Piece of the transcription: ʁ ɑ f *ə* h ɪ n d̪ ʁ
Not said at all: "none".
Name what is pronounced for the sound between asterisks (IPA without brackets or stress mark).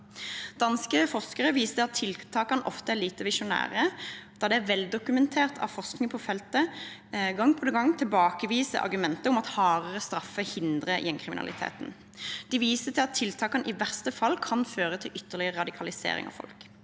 ə